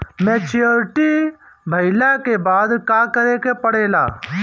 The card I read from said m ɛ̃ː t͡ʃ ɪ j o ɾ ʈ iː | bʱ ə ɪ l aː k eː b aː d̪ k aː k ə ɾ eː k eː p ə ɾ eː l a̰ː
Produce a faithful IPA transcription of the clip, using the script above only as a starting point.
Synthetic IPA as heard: m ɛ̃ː t͡ʃ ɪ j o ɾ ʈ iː | bʱ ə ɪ l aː k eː b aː d̪ k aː k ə ɾ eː k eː p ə ɽ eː l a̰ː